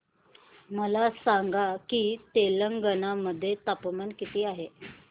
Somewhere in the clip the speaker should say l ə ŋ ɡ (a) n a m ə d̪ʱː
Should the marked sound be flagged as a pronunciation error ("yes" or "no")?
yes